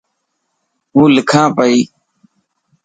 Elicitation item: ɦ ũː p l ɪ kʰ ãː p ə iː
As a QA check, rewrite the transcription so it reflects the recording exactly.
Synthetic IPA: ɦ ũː l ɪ kʰ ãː p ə iː